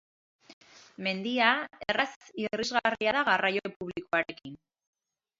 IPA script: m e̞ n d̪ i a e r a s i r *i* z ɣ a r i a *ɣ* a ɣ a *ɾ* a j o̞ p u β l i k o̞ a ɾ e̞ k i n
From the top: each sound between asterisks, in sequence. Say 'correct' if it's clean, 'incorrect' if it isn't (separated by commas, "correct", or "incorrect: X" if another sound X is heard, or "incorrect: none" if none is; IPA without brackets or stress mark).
correct, incorrect: ð, incorrect: r